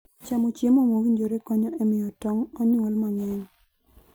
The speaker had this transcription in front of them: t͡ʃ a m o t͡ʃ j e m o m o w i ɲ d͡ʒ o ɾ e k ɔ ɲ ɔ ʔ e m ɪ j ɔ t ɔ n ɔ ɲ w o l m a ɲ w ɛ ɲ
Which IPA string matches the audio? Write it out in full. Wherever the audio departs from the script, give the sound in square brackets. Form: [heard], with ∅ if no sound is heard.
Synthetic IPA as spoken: t͡ʃ a m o t͡ʃ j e m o m o w i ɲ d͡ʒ o ɾ e k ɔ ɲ ɔ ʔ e m ɪ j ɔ t ɔ [ŋ] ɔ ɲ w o l m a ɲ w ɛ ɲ